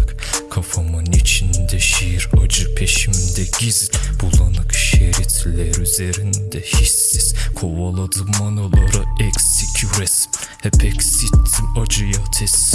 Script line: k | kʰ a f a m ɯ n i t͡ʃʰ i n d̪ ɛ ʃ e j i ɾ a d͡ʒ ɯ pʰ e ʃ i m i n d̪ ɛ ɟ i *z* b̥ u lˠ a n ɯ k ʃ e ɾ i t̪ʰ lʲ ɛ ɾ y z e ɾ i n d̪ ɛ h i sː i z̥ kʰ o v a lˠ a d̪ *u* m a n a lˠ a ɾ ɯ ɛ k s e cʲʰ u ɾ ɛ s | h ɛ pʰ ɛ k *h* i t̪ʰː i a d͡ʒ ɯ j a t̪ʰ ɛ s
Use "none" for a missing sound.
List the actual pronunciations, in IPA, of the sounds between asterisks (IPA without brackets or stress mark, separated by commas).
z, ɯ, s